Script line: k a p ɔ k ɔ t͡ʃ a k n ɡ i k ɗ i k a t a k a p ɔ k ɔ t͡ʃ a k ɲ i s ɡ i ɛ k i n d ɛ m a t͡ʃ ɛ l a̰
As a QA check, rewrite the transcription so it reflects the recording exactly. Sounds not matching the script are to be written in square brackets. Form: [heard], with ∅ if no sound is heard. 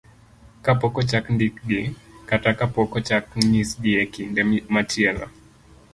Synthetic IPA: k a p ɔ k ɔ t͡ʃ a k n [d] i k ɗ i k a t a k a p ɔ k ɔ t͡ʃ a k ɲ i s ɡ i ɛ k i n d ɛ m a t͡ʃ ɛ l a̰